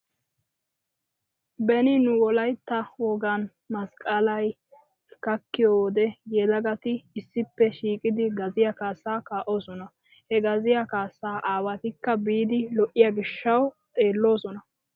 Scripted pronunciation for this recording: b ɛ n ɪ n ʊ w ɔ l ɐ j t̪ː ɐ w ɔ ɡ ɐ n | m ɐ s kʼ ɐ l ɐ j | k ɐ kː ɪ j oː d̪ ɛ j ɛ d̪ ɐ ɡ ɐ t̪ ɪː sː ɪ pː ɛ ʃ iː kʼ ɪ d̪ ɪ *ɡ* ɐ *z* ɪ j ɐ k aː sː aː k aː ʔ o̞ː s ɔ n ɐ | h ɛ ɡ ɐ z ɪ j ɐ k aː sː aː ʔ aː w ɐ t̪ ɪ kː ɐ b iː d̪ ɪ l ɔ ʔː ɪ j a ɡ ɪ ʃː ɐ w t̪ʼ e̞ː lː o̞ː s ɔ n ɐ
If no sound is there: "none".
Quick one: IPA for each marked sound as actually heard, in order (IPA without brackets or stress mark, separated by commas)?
ɡ, z